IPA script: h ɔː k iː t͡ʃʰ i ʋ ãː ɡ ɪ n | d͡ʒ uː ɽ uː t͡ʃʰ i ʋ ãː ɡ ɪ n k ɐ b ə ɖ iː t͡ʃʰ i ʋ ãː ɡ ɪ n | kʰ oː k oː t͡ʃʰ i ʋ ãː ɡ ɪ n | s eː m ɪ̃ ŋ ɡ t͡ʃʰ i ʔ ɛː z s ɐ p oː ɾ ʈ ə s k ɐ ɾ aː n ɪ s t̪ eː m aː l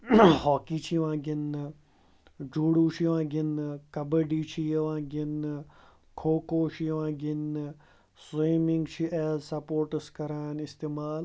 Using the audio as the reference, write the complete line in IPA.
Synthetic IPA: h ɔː k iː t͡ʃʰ i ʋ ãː ɡ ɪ n | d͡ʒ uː ɽ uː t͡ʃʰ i ʋ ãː ɡ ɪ n k ɐ b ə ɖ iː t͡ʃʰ i ʋ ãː ɡ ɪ n | kʰ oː k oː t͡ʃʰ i ʋ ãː ɡ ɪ n | s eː m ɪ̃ ŋ ɡ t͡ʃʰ i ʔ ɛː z s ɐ p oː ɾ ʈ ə s k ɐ ɾ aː n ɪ s t̪ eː m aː l